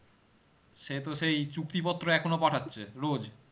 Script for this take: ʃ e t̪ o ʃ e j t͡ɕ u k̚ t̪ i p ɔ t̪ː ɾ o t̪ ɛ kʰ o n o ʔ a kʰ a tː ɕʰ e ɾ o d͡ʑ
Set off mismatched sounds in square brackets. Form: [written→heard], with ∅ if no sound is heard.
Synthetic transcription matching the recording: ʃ e t̪ o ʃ e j t͡ɕ u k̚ t̪ i p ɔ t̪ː ɾ o [t̪→∅] ɛ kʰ o n o [ʔ→p] a [kʰ→ʈʰ] a tː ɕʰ e ɾ o d͡ʑ